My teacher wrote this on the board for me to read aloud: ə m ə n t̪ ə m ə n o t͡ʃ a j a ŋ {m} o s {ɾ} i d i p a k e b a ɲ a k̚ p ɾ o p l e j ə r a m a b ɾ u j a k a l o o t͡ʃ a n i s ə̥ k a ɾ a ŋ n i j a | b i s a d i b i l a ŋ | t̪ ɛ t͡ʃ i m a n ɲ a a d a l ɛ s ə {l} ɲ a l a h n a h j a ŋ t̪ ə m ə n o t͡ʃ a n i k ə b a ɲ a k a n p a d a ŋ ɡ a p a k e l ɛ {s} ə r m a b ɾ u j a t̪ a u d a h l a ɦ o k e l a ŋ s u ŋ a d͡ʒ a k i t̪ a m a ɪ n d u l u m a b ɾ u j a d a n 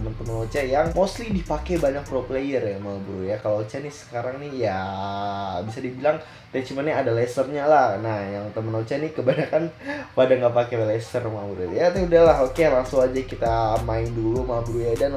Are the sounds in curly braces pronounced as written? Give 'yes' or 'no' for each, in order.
yes, no, no, yes

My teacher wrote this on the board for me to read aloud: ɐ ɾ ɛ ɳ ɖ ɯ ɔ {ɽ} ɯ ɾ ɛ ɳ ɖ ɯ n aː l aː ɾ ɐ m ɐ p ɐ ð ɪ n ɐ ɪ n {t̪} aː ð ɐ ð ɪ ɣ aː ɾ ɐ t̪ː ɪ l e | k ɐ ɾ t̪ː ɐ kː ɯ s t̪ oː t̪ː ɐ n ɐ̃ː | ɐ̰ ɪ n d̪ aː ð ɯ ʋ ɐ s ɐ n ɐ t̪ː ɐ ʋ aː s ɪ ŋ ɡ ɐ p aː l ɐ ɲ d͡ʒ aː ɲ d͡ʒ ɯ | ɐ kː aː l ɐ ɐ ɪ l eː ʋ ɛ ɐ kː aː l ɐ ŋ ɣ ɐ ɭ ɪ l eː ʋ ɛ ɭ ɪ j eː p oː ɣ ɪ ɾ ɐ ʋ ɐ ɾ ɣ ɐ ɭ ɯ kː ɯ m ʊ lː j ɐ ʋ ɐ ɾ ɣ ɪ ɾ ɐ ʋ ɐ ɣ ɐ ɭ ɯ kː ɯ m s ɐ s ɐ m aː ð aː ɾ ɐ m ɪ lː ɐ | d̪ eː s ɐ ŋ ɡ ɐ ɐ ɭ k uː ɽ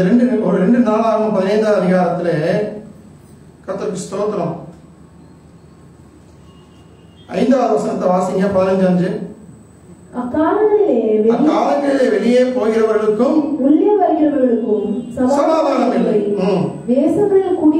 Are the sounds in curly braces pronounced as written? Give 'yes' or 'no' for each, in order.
no, no

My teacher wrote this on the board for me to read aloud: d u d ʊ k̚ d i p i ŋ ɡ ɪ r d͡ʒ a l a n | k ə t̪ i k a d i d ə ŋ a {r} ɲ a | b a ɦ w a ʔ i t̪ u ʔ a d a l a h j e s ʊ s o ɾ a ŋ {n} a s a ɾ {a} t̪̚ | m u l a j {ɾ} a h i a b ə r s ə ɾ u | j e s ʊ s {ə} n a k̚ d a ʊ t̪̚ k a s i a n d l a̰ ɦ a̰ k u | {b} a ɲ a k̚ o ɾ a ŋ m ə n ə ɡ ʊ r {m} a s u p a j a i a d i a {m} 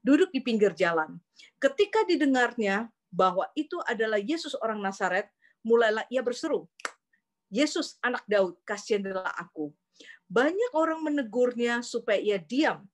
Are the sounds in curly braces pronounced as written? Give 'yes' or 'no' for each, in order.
yes, yes, no, no, no, yes, no, yes

